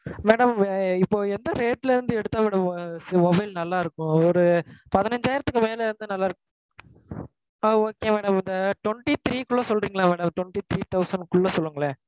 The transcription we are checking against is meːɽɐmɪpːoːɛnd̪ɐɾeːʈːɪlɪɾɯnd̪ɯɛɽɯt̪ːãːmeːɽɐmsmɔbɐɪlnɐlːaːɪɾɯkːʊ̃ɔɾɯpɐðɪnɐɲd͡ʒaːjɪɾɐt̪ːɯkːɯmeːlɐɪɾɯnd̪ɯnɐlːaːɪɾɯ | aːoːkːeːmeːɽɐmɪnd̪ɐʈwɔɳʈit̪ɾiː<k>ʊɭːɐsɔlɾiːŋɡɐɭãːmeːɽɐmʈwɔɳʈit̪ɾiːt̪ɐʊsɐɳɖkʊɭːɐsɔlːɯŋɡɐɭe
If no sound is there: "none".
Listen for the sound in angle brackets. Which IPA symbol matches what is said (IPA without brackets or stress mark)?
k